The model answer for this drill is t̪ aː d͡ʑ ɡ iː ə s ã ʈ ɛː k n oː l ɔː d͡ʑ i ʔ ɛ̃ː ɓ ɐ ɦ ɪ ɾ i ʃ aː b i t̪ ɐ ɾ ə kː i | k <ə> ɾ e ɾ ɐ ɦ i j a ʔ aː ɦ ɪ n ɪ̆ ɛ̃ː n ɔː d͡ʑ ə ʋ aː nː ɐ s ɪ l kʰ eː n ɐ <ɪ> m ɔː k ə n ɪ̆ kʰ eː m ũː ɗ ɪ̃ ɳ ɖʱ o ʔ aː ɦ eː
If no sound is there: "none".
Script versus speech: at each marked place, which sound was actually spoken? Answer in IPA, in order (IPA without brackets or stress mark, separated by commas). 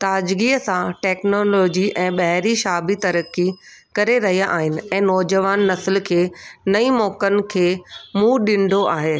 ɐ, i